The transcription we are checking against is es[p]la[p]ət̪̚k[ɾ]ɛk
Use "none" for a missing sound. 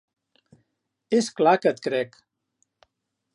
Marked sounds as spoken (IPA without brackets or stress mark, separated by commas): k, k, ɾ